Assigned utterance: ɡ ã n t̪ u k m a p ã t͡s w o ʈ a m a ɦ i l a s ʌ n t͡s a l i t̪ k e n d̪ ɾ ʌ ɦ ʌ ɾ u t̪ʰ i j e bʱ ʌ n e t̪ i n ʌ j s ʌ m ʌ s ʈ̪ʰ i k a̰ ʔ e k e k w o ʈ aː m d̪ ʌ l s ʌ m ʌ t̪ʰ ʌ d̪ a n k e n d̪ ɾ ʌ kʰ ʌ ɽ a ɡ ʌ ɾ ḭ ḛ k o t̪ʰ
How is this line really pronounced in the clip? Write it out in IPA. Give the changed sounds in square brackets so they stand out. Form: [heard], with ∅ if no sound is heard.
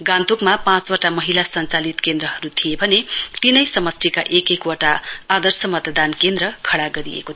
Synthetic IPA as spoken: ɡ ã n t̪ u k m a p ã t͡s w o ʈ a m [ʌ] ɦ i l a s ʌ n t͡s a l i t̪ k e n d̪ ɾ ʌ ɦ ʌ ɾ u t̪ʰ i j e bʱ ʌ n e t̪ i n ʌ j s ʌ m ʌ s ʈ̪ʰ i k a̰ ʔ e k e k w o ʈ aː [∅] d̪ ʌ [r] s ʌ m ʌ [t̪] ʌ d̪ a n k e n d̪ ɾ ʌ kʰ ʌ ɽ a ɡ ʌ ɾ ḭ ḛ k o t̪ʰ